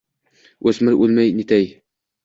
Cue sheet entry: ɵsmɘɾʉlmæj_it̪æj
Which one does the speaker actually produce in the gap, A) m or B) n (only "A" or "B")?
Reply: B